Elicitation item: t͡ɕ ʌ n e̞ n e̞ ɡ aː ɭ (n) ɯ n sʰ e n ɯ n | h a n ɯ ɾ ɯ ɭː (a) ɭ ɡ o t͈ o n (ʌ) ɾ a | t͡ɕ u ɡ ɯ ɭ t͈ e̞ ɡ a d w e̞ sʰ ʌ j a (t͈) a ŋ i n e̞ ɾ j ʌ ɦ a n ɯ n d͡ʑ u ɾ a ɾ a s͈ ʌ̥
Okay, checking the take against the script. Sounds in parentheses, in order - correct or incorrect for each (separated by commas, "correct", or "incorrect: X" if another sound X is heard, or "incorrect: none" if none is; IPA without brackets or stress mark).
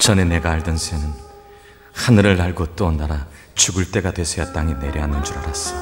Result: incorrect: d, correct, incorrect: a, correct